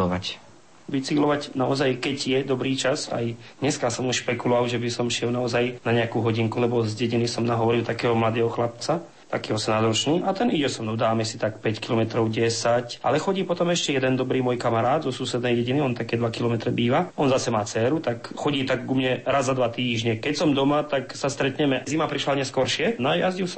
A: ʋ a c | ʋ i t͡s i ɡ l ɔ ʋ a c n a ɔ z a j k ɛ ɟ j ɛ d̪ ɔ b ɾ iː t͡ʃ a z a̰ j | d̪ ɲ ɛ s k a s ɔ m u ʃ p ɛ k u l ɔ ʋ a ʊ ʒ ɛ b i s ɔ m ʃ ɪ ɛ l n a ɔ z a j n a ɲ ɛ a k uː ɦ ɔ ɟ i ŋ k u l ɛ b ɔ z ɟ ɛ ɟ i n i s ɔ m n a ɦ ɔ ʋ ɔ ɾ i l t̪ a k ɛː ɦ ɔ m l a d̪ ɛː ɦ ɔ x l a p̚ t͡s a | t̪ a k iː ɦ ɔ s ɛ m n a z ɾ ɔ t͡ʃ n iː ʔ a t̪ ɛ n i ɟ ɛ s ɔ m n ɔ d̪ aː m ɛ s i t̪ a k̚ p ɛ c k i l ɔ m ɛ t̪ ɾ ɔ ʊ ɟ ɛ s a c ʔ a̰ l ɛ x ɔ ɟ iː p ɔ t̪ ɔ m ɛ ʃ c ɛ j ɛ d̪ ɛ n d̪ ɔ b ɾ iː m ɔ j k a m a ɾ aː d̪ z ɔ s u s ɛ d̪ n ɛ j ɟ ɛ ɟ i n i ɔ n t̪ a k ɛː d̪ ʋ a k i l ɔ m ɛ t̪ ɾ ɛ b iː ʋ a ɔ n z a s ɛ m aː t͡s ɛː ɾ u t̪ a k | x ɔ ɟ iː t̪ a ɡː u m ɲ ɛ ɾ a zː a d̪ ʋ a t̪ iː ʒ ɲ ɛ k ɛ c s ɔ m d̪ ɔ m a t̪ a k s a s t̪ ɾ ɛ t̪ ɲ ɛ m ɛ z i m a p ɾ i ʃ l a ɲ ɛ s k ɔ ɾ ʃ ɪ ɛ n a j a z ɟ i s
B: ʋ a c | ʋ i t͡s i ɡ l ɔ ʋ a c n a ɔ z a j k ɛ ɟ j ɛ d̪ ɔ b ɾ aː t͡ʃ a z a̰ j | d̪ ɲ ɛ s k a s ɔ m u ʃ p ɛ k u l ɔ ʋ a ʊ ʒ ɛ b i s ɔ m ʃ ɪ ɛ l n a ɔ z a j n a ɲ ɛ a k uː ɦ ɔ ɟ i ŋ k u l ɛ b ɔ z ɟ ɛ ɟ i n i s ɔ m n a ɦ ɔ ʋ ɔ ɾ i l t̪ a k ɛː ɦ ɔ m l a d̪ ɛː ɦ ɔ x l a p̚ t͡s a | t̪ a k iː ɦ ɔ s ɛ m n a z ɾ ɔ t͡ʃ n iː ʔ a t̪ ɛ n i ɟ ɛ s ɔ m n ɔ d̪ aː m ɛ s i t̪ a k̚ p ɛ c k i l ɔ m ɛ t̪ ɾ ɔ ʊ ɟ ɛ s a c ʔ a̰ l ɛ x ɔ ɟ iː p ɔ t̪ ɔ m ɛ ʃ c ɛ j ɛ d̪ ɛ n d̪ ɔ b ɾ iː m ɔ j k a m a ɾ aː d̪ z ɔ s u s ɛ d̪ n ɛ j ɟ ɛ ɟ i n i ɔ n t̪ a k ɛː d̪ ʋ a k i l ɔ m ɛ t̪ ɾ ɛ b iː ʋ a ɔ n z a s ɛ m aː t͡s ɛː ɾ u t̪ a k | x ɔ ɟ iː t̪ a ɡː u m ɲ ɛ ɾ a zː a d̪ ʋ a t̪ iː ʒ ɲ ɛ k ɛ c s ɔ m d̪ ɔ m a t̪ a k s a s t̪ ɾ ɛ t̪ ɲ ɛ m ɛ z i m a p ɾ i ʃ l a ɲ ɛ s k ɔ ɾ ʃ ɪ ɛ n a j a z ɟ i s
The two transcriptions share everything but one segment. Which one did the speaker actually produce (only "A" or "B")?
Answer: A